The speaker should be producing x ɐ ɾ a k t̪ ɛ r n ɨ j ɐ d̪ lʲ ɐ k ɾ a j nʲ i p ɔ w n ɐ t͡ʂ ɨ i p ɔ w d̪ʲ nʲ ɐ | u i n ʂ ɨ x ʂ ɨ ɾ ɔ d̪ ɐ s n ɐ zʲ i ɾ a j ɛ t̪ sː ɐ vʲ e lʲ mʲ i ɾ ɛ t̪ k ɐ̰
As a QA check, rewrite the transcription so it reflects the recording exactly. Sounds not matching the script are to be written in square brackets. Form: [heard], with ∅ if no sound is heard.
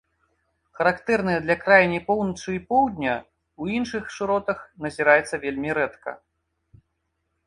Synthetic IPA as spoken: x ɐ ɾ a k t̪ ɛ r n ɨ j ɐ d̪ lʲ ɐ k ɾ a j nʲ i p ɔ w n ɐ t͡ʂ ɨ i p ɔ w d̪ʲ nʲ ɐ | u i n ʂ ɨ x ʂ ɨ ɾ ɔ [t̪] ɐ [x] n ɐ zʲ i ɾ a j ɛ t̪ sː ɐ vʲ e lʲ mʲ i ɾ ɛ t̪ k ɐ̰